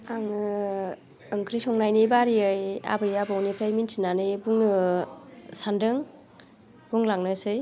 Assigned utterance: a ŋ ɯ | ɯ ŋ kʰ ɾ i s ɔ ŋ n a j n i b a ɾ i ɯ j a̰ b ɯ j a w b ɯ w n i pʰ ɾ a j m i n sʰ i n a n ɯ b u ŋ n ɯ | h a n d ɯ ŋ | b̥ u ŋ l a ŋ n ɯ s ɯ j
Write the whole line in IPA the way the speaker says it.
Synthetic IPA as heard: a ŋ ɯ | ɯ ŋ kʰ ɾ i s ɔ ŋ n a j n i b a ɾ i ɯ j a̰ b ɯ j a b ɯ w n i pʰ ɾ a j m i n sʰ i n a n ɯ b u ŋ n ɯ | s a n d ɯ ŋ | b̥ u ŋ l a ŋ n ɯ s ɯ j